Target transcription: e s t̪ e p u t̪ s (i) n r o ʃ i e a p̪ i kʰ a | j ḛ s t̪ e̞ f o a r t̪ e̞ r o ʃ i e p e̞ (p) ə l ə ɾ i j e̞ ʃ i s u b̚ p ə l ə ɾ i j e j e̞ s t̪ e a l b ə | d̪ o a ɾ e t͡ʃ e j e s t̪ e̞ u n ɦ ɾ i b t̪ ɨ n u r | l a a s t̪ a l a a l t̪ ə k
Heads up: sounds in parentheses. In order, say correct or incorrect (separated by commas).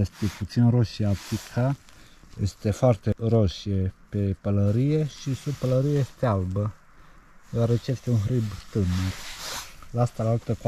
correct, correct